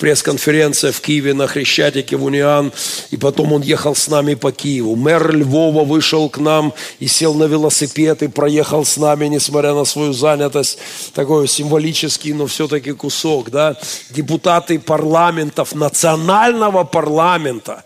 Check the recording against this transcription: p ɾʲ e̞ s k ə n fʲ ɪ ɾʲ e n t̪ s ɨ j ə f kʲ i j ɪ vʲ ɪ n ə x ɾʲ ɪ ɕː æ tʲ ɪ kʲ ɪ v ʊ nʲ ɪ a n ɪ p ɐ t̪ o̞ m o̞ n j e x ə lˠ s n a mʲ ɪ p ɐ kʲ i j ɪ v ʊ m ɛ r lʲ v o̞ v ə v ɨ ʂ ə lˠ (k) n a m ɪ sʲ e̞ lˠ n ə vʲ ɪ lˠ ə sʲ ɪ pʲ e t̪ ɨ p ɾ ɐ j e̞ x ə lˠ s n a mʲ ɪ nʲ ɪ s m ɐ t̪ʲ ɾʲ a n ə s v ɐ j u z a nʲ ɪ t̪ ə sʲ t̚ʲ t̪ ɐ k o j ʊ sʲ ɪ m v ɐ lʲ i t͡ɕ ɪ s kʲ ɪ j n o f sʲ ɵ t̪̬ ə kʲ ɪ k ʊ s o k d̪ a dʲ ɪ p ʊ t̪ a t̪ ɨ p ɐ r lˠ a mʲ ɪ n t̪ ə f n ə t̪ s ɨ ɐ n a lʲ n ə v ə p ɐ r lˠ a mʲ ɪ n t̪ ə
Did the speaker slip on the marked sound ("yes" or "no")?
no